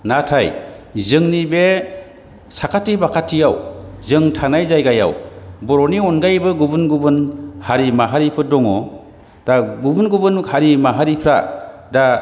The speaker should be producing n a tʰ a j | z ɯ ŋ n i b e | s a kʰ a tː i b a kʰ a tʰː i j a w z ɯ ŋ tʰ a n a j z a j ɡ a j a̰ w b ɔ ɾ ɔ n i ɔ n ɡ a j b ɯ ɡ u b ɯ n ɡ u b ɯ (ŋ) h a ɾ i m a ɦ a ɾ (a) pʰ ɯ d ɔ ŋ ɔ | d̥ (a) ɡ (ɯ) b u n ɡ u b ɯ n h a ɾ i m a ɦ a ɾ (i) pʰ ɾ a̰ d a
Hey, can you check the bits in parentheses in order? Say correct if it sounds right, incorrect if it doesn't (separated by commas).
incorrect, incorrect, correct, incorrect, correct